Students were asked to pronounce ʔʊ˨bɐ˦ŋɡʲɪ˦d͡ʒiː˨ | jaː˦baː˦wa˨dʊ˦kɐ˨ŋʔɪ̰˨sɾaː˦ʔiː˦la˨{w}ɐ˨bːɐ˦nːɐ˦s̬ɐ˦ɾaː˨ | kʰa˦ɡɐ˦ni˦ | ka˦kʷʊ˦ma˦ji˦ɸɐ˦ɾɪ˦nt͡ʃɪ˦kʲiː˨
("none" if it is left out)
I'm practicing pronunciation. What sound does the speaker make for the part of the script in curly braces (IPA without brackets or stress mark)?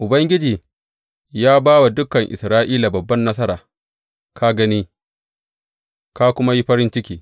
b